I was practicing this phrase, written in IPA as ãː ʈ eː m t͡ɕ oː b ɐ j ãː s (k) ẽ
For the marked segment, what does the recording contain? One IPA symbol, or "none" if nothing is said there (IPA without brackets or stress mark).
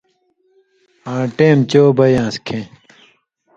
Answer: kʰ